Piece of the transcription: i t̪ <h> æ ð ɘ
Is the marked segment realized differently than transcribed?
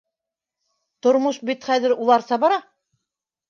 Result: yes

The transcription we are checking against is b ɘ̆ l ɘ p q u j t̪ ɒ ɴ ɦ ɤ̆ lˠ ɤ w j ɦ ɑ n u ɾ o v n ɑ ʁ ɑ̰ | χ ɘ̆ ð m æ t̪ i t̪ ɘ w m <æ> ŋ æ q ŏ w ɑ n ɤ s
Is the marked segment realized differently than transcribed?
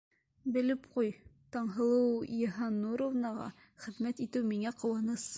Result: yes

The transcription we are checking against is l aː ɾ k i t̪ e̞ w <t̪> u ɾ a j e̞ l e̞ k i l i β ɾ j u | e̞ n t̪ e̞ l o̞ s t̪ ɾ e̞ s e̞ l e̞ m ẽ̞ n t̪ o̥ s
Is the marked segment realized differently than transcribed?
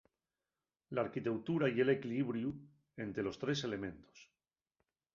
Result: no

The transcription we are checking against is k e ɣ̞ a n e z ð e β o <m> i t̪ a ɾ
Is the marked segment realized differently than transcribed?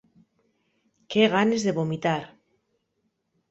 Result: no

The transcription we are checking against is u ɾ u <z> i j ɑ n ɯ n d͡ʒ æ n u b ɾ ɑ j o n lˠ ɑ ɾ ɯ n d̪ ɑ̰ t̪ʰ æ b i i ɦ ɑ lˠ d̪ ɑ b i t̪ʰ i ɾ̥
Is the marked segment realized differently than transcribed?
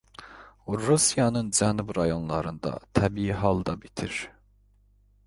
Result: yes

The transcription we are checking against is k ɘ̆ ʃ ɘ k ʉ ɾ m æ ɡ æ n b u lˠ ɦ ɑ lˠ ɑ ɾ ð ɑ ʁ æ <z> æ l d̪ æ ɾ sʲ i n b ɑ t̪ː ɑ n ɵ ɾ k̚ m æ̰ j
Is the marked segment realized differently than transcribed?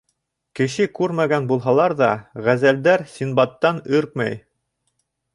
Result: no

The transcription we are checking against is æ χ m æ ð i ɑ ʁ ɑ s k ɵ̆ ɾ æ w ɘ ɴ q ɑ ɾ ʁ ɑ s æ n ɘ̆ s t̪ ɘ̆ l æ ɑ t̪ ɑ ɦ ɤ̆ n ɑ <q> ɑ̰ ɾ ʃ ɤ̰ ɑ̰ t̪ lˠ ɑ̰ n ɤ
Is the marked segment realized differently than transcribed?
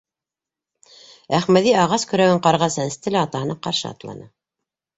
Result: no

